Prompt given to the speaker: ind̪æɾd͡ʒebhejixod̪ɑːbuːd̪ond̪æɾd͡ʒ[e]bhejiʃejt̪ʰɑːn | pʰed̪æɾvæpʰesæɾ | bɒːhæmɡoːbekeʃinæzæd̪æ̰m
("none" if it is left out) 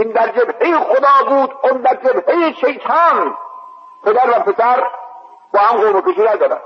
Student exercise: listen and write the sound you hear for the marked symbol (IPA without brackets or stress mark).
e